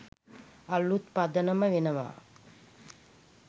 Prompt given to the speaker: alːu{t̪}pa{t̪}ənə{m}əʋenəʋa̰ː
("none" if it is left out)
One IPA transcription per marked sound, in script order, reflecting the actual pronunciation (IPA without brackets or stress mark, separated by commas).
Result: t̪, d̪, m